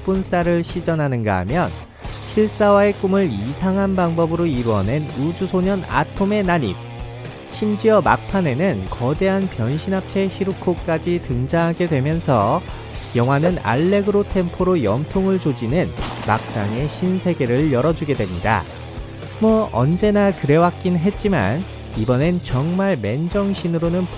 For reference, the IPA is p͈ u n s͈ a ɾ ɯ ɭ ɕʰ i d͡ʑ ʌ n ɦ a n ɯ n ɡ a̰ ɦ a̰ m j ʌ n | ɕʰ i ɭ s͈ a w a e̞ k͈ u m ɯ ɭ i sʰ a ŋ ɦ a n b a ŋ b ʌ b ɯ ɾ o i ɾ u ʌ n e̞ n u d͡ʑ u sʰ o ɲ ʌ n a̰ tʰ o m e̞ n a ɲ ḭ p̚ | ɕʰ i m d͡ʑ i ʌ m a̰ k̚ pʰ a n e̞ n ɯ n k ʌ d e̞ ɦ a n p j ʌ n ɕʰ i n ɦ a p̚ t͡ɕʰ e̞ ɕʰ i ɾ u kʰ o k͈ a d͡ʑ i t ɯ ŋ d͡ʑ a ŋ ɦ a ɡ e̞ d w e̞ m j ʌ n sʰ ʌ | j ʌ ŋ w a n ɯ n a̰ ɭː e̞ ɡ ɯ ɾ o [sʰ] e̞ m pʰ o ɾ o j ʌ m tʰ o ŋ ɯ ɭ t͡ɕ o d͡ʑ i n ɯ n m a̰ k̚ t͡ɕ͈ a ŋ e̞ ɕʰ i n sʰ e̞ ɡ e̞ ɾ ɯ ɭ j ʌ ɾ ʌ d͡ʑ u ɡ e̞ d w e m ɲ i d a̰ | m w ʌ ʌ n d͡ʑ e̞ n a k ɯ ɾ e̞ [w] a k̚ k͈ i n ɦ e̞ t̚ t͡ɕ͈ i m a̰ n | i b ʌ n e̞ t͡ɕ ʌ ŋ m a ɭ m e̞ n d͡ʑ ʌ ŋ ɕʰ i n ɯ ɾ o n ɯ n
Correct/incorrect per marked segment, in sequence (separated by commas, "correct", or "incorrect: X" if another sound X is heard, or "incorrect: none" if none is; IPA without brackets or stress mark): incorrect: tʰ, correct